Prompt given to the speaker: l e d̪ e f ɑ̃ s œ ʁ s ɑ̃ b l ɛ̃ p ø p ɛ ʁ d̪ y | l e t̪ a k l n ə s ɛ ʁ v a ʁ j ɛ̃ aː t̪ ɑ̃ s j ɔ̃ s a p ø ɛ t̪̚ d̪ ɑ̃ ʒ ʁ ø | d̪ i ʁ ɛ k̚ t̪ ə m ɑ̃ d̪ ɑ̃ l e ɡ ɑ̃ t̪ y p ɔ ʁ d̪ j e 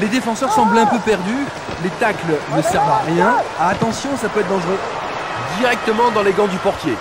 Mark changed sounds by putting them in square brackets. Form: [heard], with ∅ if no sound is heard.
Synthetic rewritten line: l e d̪ e f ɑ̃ s œ ʁ s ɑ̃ b l ɛ̃ p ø p ɛ ʁ d̪ y | l e t̪ a k l n ə s ɛ ʁ v a ʁ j ɛ̃ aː t̪ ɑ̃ s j ɔ̃ s a p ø ɛ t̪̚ d̪ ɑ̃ ʒ ʁ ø | d̪ i ʁ ɛ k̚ t̪ ə m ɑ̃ d̪ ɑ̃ l e ɡ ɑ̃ [d̪] y p ɔ ʁ [t̪] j e